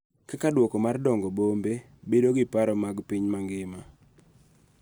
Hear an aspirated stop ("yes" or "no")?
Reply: no